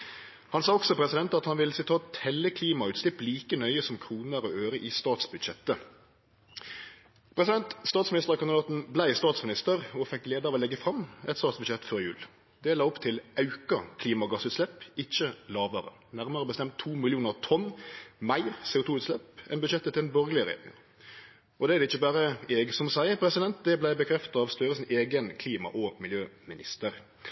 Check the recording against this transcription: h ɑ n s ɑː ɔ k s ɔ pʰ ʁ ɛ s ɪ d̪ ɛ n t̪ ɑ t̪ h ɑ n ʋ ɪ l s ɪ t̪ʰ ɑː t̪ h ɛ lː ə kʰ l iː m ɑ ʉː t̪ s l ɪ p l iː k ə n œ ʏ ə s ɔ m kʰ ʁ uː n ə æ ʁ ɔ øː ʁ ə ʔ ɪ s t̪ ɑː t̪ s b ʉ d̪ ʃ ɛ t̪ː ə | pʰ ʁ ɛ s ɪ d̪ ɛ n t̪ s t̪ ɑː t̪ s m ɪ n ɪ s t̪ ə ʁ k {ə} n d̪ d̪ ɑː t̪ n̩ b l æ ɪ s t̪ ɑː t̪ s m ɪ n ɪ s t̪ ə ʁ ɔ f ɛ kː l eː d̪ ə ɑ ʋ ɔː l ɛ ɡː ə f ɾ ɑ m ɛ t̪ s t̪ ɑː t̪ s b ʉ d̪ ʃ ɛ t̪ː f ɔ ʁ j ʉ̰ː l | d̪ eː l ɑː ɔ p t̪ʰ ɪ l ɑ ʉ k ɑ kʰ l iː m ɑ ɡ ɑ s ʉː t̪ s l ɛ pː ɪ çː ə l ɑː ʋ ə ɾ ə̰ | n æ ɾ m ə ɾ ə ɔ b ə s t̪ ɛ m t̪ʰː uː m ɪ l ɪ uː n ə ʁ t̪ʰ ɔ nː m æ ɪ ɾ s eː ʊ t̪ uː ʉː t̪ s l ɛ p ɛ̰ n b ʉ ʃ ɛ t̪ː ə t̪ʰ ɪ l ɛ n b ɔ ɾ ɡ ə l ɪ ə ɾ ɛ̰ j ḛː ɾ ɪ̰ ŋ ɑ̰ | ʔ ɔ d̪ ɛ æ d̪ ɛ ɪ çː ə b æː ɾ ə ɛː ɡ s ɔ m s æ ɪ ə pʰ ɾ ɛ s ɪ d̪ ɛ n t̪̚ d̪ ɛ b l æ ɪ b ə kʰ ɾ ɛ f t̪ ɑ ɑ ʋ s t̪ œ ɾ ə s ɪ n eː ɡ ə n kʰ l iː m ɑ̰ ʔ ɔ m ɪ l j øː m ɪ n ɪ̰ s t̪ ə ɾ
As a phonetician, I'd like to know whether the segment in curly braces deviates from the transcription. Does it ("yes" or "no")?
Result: yes